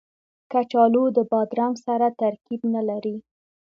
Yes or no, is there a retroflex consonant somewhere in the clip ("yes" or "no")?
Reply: no